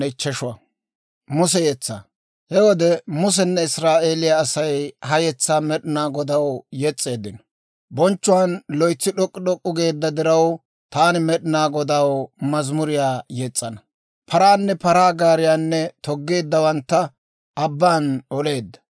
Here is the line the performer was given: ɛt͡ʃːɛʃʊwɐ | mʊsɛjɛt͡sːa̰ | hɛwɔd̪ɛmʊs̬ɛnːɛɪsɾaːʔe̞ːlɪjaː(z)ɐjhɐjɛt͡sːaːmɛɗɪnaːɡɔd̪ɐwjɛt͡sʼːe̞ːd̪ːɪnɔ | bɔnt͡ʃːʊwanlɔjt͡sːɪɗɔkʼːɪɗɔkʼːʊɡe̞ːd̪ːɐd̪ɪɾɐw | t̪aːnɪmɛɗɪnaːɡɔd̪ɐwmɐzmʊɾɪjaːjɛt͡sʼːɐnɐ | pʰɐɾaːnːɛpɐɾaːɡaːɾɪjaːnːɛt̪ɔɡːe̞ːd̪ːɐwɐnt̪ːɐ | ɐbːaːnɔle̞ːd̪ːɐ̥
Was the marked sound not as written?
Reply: yes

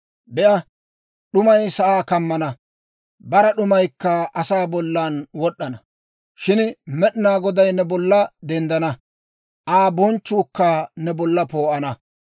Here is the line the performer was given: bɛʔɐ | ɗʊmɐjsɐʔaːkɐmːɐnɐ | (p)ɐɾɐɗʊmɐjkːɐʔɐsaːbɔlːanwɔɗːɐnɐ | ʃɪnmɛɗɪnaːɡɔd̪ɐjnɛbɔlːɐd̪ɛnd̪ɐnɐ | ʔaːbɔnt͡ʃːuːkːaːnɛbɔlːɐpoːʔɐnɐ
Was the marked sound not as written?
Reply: yes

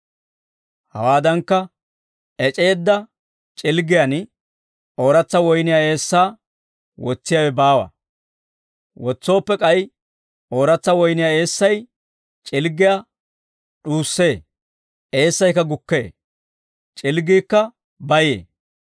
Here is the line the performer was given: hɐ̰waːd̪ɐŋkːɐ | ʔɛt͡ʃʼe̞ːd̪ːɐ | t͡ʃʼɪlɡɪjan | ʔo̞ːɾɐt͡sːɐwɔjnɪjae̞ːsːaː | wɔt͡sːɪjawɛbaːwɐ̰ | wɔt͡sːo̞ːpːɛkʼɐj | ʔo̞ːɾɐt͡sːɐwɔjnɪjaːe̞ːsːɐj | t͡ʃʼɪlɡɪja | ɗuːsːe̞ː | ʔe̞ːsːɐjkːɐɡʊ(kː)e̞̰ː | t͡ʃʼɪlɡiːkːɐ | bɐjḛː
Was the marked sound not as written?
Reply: no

